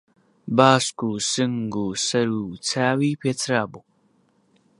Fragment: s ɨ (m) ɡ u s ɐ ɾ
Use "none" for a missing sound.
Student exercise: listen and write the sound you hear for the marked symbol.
ŋ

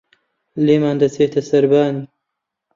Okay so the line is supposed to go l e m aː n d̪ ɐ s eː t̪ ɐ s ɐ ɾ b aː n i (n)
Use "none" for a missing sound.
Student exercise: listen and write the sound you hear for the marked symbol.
none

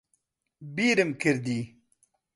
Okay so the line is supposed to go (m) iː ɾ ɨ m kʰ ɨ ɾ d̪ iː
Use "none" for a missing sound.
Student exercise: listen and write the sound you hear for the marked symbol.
b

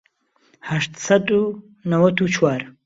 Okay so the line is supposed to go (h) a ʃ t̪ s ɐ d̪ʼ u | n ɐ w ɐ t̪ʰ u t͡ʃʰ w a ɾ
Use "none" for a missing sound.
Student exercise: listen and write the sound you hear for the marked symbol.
h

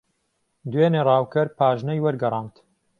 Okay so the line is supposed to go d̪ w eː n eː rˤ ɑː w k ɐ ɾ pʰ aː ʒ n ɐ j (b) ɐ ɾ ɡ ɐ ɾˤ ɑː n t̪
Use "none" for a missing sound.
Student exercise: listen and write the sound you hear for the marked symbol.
w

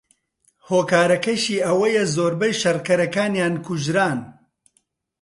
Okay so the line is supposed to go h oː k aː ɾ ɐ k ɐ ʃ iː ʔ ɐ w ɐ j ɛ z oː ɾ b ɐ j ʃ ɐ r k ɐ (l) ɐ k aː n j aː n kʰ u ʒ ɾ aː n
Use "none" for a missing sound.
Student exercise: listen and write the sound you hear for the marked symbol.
ɾ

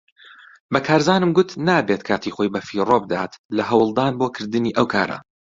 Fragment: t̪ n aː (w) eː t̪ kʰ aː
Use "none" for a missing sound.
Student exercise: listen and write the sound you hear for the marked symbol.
b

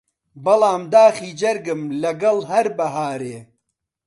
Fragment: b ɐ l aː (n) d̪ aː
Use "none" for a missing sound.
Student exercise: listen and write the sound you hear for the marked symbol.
m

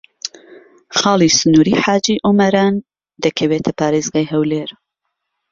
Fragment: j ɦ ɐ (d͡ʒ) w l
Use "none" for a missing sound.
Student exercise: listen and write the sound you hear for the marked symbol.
none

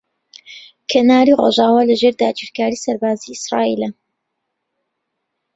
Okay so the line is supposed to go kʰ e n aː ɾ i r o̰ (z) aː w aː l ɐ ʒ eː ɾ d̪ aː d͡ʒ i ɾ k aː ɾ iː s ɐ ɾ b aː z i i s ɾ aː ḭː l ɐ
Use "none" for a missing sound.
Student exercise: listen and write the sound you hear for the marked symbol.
ʒ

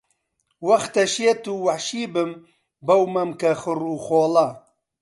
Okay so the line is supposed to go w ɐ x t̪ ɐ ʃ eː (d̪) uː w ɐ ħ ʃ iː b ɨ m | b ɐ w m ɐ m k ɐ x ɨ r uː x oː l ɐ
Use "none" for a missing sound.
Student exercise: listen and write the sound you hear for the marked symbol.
t̪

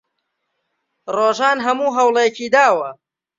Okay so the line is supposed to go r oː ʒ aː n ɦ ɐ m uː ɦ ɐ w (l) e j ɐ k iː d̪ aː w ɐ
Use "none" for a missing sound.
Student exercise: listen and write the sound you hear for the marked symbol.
l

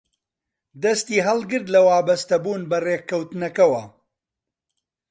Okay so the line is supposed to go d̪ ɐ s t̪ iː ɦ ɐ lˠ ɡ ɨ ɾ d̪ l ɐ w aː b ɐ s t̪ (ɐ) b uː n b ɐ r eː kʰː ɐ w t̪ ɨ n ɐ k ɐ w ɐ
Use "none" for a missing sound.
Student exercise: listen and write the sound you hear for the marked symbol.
ɐ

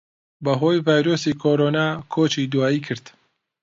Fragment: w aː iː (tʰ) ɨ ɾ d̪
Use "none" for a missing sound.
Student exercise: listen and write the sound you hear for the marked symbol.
kʰ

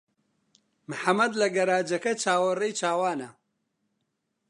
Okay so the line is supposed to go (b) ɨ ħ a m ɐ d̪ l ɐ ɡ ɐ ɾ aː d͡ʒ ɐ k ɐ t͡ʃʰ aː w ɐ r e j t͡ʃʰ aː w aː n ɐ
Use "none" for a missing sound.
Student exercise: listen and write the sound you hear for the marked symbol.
m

